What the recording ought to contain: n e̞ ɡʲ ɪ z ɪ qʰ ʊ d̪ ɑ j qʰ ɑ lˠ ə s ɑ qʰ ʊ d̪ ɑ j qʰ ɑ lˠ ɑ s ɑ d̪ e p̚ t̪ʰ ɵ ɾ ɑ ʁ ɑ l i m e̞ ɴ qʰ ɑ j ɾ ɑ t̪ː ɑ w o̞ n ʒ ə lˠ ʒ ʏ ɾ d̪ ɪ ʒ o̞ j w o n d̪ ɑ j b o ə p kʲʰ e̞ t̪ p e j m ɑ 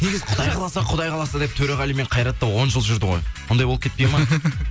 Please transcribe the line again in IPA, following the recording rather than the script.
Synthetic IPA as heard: n e̞ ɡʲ ɪ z ɪ qʰ ʊ d̪ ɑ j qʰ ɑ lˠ ɑ s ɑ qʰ ʊ d̪ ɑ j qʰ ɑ lˠ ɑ s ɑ d̪ e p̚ t̪ʰ ɵ ɾ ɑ ʁ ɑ l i m e̞ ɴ qʰ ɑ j ɾ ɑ t̪ː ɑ w o̞ n ʒ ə lˠ ʒ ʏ ɾ d̪ ɪ ʁ o̞ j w o n d̪ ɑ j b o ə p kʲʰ e̞ t̪ p e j m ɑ